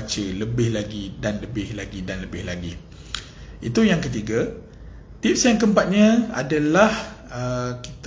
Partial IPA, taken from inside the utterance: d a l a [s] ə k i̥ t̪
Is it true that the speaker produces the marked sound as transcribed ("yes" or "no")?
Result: no